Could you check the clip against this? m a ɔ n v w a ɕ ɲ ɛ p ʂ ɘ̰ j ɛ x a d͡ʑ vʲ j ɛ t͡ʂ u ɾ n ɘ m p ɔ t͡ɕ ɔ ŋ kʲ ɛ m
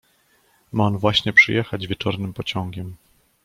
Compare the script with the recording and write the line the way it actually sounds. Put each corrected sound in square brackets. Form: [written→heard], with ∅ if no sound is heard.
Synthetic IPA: m a ɔ n v w a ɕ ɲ ɛ p ʂ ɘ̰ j ɛ x a d͡ʑ vʲ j ɛ t͡ʂ [u→ɔ] ɾ n ɘ m p ɔ t͡ɕ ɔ ŋ [kʲ→ɡʲ] ɛ m